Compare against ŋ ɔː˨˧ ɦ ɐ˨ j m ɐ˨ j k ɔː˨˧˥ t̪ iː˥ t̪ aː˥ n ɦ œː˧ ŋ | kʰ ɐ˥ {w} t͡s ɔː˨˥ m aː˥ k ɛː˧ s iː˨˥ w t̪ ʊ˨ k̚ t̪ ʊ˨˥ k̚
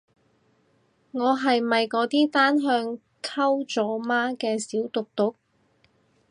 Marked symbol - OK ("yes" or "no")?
yes